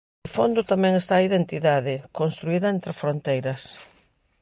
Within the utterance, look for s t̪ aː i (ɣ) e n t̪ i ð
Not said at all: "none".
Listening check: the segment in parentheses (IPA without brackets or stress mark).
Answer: ð